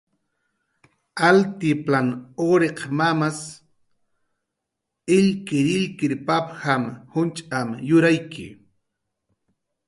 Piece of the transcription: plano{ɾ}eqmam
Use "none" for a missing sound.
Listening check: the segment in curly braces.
ɾ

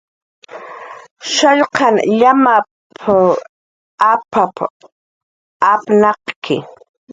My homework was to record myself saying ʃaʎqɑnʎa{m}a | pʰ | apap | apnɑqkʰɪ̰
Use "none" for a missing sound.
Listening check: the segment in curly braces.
m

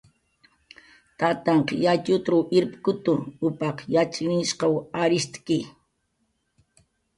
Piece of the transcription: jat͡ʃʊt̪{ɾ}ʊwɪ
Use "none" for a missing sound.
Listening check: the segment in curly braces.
ɾ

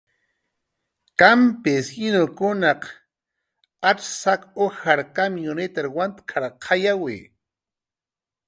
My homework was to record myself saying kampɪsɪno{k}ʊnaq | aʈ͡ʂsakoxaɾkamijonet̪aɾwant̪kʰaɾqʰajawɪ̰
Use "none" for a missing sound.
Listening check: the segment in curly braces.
k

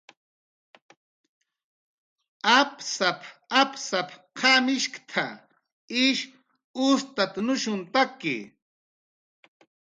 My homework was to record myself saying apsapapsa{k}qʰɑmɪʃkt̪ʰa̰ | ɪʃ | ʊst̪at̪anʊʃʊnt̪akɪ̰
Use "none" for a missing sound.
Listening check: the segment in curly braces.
p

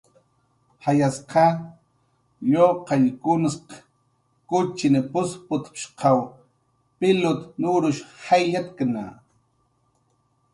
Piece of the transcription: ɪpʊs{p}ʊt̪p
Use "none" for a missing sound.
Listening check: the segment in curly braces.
p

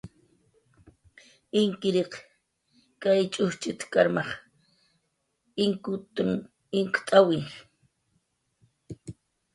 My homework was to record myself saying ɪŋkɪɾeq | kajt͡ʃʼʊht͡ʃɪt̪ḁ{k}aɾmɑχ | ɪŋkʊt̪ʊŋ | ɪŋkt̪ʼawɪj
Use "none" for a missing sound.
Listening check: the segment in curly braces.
k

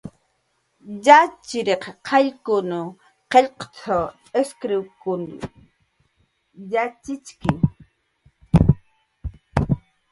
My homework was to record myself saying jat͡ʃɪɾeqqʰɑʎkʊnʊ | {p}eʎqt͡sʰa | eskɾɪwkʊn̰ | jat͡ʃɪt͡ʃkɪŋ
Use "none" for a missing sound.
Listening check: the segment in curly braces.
q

